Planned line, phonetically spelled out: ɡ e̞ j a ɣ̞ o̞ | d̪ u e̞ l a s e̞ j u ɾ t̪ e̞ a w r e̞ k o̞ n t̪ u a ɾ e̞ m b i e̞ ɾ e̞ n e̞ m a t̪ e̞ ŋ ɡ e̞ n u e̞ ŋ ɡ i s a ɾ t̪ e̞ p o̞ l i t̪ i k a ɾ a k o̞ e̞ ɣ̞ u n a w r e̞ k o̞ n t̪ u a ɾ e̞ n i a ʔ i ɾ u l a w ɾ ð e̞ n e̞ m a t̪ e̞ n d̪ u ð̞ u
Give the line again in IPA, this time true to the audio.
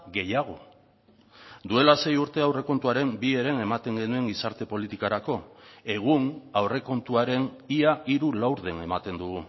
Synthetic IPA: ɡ e̞ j a ɣ̞ o̞ | d̪ u e̞ l a s e̞ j u ɾ t̪ e̞ a w r e̞ k o̞ n t̪ u a ɾ e̞ m b i e̞ ɾ e̞ n e̞ m a t̪ e̞ ŋ ɡ e̞ n u e̞ ŋ ɡ i s a ɾ t̪ e̞ p o̞ l i t̪ i k a ɾ a k o̞ e̞ ɣ̞ u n a w r e̞ k o̞ n t̪ u a ɾ e̞ n i a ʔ i ɾ u l a w ɾ ð e̞ n e̞ m a t̪ e̞ n d̪ u ɣ̞ u